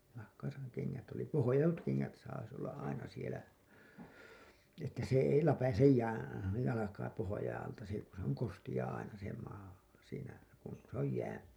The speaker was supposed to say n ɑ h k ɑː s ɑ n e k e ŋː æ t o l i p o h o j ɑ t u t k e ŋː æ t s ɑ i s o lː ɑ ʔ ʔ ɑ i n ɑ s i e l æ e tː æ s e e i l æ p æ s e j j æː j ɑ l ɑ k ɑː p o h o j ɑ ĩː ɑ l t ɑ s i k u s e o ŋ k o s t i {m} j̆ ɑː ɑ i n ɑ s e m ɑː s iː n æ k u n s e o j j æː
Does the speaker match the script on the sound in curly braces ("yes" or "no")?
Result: no